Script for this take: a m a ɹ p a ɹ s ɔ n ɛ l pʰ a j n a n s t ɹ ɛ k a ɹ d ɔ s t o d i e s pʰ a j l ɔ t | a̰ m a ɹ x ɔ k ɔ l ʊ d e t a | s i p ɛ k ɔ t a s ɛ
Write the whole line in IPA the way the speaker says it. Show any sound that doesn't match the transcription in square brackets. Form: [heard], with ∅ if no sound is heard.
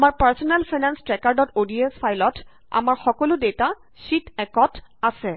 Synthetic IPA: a m a ɹ p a ɹ s ɔ n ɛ l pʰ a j n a n s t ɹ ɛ k a ɹ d ɔ [∅] t o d i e s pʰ a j l ɔ t | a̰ m a ɹ x ɔ k ɔ l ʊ d e t a | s i [t] ɛ k ɔ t a s ɛ